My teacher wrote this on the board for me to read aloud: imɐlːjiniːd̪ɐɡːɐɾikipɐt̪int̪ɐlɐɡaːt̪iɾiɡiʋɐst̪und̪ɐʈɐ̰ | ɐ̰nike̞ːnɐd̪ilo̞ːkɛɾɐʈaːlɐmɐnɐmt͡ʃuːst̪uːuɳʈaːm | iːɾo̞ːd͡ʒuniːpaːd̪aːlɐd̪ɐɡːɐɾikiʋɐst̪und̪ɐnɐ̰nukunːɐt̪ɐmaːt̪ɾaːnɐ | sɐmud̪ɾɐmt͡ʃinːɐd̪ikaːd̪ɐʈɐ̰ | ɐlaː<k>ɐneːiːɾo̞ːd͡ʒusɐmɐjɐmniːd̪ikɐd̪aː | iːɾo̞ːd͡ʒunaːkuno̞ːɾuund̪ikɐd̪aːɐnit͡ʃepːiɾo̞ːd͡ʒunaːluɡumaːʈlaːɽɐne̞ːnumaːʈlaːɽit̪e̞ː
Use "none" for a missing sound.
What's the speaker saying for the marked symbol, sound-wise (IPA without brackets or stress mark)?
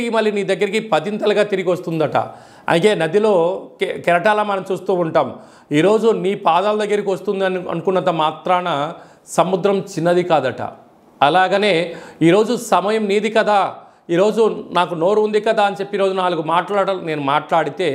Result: ɡ